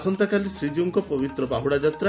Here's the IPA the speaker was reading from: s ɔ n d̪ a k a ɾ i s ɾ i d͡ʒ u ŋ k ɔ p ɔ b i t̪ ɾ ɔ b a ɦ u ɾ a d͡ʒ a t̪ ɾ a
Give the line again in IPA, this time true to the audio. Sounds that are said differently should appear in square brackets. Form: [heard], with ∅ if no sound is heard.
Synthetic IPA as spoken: s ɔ n [t̪] a k a [l] i s ɾ i d͡ʒ u ŋ k ɔ p ɔ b i t̪ ɾ ɔ b a ɦ u [ɽ] a d͡ʒ a t̪ ɾ a